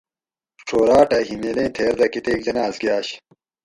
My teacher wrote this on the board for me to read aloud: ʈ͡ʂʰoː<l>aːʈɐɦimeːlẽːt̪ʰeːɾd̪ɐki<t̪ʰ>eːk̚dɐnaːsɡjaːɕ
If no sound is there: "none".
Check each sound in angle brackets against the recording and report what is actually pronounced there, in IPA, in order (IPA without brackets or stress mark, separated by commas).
ɾ, t̪